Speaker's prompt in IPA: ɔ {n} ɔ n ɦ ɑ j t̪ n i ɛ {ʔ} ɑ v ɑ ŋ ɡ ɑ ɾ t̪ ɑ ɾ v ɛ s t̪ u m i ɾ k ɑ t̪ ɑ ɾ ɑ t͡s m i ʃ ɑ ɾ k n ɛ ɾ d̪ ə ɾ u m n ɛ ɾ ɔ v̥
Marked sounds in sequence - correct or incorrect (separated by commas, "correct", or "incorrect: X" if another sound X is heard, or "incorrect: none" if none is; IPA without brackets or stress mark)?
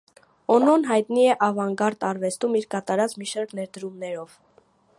correct, correct